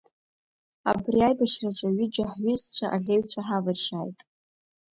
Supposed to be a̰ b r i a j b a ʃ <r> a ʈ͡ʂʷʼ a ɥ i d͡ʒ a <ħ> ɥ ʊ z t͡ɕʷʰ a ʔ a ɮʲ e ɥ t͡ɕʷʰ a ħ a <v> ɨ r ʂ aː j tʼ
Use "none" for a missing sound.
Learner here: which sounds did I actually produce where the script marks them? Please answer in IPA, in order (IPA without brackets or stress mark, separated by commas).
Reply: r, ħ, v